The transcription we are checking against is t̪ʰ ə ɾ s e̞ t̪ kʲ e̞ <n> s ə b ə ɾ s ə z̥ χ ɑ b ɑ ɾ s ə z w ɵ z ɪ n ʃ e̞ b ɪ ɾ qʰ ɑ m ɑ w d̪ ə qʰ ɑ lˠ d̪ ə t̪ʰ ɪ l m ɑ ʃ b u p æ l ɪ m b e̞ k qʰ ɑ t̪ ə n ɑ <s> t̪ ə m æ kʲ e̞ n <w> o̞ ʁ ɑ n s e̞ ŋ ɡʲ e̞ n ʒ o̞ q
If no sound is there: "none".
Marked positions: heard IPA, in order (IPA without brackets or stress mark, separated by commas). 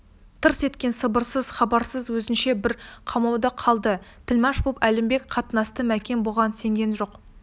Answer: n, s, b